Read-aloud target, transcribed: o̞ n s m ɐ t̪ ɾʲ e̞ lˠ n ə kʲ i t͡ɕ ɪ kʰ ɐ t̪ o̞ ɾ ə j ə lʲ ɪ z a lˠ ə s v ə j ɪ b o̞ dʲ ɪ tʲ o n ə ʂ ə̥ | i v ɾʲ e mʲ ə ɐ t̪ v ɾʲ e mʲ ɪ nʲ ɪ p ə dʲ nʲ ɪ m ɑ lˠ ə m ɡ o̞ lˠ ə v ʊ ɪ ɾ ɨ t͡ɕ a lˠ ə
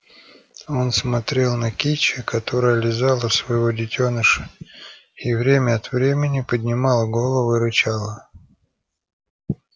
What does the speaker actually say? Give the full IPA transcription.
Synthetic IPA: o̞ n s m ɐ t̪ ɾʲ e̞ lˠ n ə kʲ i t͡ɕ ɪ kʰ ɐ t̪ o̞ ɾ ə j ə lʲ ɪ z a lˠ ə s v ə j ɪ v o̞ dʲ ɪ tʲ o n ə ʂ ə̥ | i v ɾʲ e mʲ ə ɐ t̪ v ɾʲ e mʲ ɪ nʲ ɪ p ə dʲ nʲ ɪ m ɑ lˠ ə ɡ o̞ lˠ ə v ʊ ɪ ɾ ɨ t͡ɕ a lˠ ə

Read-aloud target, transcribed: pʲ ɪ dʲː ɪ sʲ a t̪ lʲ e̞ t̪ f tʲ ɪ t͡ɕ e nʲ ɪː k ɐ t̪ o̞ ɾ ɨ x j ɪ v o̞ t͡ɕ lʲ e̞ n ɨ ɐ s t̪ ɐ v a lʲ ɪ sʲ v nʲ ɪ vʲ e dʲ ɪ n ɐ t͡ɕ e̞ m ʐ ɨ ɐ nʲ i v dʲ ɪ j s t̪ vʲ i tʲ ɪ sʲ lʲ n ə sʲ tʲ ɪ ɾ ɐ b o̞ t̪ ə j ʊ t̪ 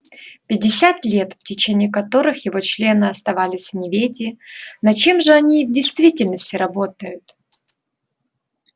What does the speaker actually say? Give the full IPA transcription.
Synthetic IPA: pʲ ɪ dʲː ɪ sʲ a t̪ lʲ e̞ t̪ f tʲ ɪ t͡ɕ e nʲ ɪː k ɐ t̪ o̞ ɾ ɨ x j ɪ v o̞ t͡ɕ lʲ e̞ n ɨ ɐ s t̪ ɐ v a lʲ ɪ sʲ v nʲ ɪ vʲ e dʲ ɪ n ɐ t͡ɕ e̞ m ʐ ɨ ɐ nʲ i v dʲ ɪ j s t̪ vʲ i tʲ ɪ lʲ n ə sʲ tʲ ɪ ɾ ɐ b o̞ t̪ ə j ʊ t̪

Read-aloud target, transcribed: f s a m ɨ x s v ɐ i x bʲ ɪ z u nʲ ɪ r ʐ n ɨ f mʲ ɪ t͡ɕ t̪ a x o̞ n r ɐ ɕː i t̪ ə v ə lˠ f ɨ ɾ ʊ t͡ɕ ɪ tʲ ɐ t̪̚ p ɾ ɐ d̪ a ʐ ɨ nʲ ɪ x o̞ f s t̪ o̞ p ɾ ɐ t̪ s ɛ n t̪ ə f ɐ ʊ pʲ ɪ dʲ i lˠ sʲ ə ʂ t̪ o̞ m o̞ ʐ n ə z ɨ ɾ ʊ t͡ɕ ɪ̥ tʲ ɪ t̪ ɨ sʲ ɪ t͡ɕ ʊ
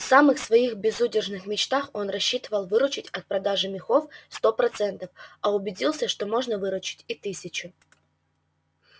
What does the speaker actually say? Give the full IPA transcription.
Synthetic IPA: f s a m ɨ x s v ɐ i x bʲ ɪ z u dʲ ɪ r ʐ n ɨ x mʲ ɪ t͡ɕ t̪ a x o̞ n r ɐ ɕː i t̪ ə v ə lˠ v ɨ ɾ ʊ t͡ɕ ɪ tʲ ɐ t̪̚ p ɾ ɐ d̪ a ʐ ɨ mʲ ɪ x o̞ f s t̪ o̞ p ɾ ɐ t̪ s ɛ n t̪ ə f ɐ ʊ bʲ ɪ dʲ i lˠ sʲ ə ʂ t̪ o̞ m o̞ ʐ n ə v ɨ ɾ ʊ t͡ɕ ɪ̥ tʲ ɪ t̪ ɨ sʲ ɪ t͡ɕ ʊ

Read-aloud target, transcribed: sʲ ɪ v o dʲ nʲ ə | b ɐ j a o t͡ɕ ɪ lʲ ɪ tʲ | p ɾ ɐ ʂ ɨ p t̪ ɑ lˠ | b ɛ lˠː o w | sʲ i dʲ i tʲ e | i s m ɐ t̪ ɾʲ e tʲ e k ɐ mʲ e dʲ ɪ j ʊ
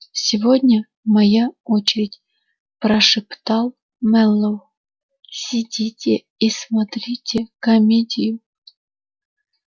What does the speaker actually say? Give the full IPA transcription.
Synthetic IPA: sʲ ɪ v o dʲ nʲ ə | m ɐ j a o t͡ɕ ɪ ɾʲ ɪ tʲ | p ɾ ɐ ʂ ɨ p t̪ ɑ lˠ | m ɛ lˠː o w | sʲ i dʲ i tʲ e | i s m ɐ t̪ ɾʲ i tʲ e k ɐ mʲ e dʲ ɪ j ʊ

